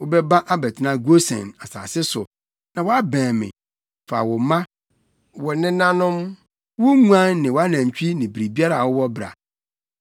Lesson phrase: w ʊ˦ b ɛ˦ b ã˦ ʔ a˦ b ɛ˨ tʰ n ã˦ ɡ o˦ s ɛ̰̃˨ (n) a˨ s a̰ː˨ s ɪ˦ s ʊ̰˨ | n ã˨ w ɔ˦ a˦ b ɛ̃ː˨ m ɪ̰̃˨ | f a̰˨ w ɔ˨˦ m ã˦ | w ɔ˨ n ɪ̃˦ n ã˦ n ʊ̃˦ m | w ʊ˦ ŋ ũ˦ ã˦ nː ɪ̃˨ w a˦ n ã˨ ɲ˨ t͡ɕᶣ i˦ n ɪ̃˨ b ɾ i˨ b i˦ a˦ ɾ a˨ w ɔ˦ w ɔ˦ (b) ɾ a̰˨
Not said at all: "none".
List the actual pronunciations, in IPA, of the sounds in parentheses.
n, b

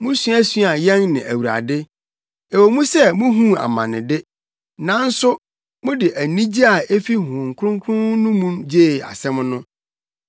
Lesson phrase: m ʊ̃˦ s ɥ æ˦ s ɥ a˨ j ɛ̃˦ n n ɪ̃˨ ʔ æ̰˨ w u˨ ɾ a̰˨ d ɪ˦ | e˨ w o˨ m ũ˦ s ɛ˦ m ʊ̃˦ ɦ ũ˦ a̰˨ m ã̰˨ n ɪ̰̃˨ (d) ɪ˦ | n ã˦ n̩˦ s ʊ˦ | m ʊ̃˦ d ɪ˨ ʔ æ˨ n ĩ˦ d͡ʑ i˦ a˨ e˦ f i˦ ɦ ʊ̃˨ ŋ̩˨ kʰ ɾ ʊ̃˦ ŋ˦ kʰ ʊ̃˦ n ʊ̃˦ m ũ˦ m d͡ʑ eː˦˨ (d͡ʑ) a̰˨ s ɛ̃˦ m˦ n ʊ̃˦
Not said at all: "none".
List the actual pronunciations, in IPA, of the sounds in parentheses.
d, none

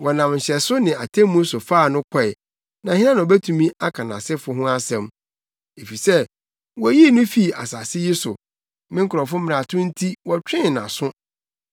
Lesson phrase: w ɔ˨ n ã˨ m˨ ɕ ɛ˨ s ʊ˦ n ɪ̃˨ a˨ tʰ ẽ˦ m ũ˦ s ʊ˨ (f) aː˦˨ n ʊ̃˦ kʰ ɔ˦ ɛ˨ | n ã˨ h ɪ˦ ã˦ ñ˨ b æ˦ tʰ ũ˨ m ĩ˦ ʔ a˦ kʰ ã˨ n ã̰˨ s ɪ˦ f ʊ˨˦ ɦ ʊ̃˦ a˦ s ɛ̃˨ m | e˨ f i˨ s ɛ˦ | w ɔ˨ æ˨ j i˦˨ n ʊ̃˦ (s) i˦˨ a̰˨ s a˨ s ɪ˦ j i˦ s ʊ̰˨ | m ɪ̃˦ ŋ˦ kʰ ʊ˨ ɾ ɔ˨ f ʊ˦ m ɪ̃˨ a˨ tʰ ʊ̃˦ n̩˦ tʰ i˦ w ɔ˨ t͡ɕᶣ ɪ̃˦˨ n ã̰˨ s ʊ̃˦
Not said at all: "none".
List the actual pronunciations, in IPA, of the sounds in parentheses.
f, f

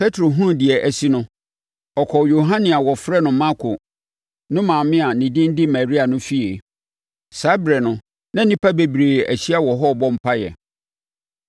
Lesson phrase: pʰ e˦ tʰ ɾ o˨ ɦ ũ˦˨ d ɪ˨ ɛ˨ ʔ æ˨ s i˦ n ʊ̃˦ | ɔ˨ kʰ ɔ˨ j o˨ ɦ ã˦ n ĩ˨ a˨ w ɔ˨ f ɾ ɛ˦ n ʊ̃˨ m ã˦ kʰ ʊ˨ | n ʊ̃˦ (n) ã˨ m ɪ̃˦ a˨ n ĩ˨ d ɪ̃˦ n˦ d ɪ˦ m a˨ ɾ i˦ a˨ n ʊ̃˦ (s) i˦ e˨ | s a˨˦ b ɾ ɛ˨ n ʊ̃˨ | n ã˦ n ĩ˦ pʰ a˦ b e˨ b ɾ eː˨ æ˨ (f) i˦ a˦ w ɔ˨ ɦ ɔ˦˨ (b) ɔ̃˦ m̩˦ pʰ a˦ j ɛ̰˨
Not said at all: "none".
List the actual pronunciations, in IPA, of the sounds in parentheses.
m, f, ɕ, b

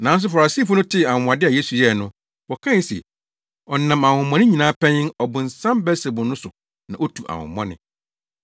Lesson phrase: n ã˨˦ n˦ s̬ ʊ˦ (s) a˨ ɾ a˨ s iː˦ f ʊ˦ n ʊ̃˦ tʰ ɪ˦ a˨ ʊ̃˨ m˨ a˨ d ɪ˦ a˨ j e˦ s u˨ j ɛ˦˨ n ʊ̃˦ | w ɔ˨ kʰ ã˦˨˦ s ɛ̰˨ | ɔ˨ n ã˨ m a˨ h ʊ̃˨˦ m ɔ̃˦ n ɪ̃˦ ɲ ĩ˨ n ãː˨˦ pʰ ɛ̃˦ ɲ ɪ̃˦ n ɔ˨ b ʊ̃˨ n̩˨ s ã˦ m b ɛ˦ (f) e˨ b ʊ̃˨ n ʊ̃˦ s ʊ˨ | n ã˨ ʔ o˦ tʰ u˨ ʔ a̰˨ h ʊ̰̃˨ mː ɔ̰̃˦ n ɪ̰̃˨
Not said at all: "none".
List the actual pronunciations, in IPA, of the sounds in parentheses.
f, s

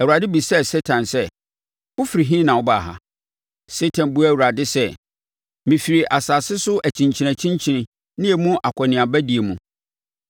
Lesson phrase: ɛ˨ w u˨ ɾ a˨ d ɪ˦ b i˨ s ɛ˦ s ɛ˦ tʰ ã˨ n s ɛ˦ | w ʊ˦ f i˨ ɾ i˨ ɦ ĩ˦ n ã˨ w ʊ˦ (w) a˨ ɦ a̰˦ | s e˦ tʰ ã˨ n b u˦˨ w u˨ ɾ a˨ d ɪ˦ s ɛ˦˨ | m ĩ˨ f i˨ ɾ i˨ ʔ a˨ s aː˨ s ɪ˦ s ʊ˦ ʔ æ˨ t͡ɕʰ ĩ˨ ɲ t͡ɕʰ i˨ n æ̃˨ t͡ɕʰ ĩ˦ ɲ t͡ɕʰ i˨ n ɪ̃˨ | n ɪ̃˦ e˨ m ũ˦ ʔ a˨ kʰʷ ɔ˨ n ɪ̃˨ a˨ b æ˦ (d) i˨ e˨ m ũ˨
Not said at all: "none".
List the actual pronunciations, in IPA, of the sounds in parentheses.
b, d

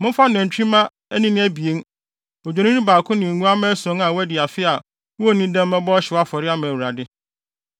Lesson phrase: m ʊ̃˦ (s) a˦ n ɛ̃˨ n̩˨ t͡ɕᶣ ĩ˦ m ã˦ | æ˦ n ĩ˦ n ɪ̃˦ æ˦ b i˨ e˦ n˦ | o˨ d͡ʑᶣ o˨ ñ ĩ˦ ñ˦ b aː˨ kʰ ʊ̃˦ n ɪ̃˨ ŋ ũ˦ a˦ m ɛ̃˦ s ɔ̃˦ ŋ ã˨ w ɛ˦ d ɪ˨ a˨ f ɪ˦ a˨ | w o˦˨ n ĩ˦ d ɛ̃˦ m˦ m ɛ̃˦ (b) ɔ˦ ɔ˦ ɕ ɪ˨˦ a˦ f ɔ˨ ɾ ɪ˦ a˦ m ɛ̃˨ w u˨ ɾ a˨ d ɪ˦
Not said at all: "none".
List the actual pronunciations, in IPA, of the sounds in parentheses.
f, b

